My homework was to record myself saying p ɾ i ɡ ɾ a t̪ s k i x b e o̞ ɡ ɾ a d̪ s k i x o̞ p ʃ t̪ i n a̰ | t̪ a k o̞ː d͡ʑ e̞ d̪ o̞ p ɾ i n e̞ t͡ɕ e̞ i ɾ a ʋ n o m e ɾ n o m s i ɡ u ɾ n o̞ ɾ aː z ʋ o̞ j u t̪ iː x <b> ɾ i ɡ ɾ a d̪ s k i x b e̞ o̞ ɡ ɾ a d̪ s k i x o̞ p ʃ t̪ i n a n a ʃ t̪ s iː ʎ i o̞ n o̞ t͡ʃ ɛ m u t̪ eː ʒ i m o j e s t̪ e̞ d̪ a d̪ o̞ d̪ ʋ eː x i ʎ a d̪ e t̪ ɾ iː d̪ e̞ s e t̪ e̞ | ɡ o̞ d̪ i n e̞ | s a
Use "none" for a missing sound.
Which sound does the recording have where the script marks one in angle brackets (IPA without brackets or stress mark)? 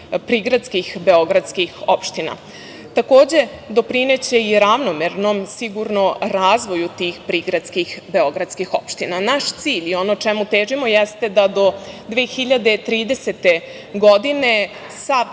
p